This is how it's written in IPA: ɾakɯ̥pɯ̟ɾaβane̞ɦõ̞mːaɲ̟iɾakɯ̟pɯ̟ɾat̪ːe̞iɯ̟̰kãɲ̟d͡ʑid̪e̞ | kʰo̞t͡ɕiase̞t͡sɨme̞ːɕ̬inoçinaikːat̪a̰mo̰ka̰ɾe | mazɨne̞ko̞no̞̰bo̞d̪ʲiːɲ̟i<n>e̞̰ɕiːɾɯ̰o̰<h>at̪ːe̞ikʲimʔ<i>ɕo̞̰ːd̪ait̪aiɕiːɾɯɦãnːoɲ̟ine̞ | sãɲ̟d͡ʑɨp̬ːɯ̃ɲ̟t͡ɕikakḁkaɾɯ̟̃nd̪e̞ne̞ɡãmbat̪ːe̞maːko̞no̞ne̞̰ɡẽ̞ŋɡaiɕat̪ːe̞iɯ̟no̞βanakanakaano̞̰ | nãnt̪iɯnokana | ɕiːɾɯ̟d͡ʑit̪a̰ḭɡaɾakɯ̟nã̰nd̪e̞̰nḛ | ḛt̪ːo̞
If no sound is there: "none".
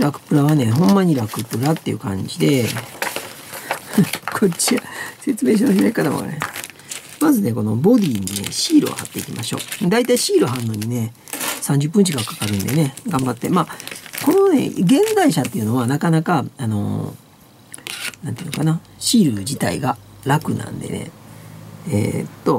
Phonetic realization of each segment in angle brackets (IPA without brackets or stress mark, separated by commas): n, h, a